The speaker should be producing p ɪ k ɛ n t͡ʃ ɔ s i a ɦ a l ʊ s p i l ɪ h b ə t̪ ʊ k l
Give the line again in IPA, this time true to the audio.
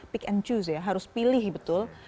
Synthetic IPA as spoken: p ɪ k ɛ n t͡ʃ u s j a ɦ a ɾ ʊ s p i l ɪ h b ə t̪ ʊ l